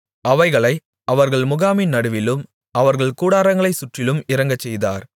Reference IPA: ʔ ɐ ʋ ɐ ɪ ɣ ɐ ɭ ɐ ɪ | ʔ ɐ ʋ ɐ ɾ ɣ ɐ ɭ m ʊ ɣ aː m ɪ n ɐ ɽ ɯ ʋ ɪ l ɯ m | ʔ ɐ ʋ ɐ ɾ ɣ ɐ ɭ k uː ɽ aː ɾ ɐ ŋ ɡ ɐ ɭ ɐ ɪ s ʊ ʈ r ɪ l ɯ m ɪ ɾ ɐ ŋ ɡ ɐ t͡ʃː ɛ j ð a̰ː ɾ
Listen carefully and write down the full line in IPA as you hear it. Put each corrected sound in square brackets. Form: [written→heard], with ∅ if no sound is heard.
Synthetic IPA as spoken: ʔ ɐ ʋ ɐ ɪ ɣ ɐ ɭ ɐ ɪ | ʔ ɐ ʋ ɐ ɾ ɣ ɐ ɭ m ʊ ɣ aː m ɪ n ɐ ɽ ɯ ʋ ɪ l ɯ m | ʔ ɐ ʋ ɐ ɾ ɣ ɐ ɭ k uː ɽ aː ɾ ɐ ŋ ɡ ɐ ɭ ɐ ɪ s ʊ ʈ r ɪ l ɯ m ɪ ɾ ɐ ŋ ɡ ɐ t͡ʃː ɛ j ð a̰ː ɾ

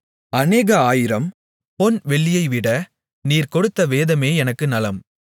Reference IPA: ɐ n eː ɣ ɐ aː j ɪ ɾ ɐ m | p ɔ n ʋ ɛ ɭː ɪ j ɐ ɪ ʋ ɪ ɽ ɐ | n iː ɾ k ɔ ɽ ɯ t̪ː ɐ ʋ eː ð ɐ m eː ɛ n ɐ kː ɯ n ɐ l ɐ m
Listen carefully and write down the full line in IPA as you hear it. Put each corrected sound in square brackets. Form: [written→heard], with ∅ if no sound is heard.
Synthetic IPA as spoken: ɐ n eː ɣ ɐ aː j ɪ ɾ ɐ m | p ɔ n ʋ ɛ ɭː ɪ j ɐ ɪ ʋ ɪ ɽ ɐ | n iː ɾ k ɔ ɽ ɯ t̪ː ɐ ʋ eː ð ɐ m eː ɛ n ɐ kː ɯ n ɐ l ɐ m

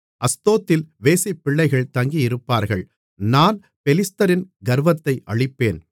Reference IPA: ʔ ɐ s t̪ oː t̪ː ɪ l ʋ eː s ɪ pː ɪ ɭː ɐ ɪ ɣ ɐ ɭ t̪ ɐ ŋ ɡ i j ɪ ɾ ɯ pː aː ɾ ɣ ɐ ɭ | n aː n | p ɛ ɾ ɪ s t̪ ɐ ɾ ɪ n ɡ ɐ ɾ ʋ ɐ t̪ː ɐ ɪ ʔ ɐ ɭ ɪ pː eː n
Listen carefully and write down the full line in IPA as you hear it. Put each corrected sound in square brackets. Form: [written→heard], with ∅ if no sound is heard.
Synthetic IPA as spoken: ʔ ɐ s t̪ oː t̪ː ɪ l ʋ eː s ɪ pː ɪ ɭː ɐ ɪ ɣ ɐ ɭ t̪ ɐ ŋ ɡ i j ɪ ɾ ɯ pː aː ɾ ɣ ɐ ɭ | n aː n | p ɛ [ɾ→l] ɪ s t̪ ɐ ɾ ɪ n ɡ ɐ ɾ ʋ ɐ t̪ː ɐ ɪ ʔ ɐ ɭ ɪ pː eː n

